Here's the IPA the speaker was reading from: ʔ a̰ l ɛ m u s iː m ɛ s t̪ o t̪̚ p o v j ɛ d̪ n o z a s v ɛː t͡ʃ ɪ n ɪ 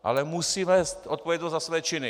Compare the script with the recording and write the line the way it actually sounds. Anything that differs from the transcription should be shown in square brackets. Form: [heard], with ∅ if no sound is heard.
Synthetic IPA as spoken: ʔ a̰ l ɛ m u s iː m ɛ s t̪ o t̪̚ p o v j ɛ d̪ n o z a s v ɛː t͡ʃ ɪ n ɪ